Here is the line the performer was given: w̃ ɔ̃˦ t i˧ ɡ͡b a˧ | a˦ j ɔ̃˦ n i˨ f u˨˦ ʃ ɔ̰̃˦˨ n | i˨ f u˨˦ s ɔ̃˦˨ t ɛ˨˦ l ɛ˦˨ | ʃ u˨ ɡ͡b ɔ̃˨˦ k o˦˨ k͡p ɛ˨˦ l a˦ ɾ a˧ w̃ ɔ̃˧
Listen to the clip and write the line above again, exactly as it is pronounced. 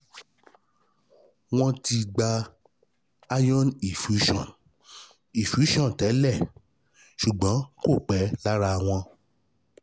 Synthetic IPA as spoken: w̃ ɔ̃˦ t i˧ ɡ͡b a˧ | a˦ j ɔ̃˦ n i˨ f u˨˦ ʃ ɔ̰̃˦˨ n | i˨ f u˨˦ ʃ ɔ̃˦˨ t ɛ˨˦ l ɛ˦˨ | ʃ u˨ ɡ͡b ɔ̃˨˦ k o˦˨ k͡p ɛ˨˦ l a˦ ɾ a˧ w̃ ɔ̃˧

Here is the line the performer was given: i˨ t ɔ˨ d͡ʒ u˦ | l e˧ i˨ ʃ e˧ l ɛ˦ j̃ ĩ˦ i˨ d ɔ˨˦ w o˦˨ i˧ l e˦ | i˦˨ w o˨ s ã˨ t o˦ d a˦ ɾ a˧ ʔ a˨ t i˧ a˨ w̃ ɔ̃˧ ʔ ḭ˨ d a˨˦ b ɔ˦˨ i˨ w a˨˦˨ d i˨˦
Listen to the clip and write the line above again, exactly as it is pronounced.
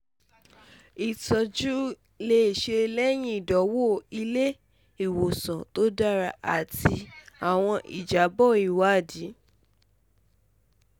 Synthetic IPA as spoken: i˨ t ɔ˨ d͡ʒ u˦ | l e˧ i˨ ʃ e˧ l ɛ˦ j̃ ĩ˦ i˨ d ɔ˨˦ w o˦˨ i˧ l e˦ | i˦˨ w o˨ s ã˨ t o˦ d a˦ ɾ a˧ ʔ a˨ t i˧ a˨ w̃ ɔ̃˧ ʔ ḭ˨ d͡ʒ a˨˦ b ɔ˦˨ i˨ w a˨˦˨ d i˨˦

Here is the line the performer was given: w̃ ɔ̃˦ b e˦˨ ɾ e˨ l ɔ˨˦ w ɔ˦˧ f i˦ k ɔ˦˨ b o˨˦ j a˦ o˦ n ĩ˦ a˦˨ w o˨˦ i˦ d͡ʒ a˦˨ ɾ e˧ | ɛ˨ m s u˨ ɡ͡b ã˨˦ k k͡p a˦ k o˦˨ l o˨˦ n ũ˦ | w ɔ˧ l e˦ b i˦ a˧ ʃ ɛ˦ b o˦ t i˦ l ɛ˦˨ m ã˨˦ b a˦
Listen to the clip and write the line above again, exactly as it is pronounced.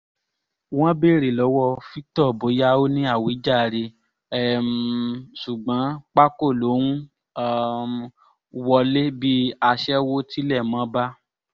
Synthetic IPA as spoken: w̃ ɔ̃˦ b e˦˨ ɾ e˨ l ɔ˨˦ w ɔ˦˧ f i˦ t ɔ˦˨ b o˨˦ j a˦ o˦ n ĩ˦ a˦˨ w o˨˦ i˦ d͡ʒ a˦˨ ɾ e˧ | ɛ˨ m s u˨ ɡ͡b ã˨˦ k͡p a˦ k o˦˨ l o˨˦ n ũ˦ | w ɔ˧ l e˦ b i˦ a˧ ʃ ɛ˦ w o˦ t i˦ l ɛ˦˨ m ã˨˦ b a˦

